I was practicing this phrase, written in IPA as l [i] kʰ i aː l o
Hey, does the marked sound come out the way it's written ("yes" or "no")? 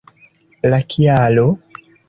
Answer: no